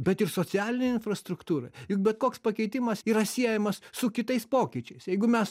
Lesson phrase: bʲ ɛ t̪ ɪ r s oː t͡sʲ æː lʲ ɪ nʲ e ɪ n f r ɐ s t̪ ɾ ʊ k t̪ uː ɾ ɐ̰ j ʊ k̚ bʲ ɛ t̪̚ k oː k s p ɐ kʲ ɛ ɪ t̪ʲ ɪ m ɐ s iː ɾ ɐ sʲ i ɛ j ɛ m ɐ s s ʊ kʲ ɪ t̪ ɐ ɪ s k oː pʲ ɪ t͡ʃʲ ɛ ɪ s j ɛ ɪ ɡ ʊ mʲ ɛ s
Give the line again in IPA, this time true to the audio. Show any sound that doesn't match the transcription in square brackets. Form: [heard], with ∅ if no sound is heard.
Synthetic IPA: bʲ ɛ t̪ ɪ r s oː t͡sʲ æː lʲ ɪ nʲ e ɪ n f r ɐ s t̪ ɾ ʊ k t̪ uː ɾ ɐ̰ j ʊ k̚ bʲ ɛ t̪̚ k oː k s p ɐ kʲ ɛ ɪ t̪ʲ ɪ m ɐ s iː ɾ ɐ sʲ i ɛ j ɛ m ɐ s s ʊ kʲ ɪ t̪ ɐ ɪ s [p] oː [kʲ] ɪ t͡ʃʲ ɛ ɪ s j ɛ ɪ ɡ ʊ mʲ ɛ s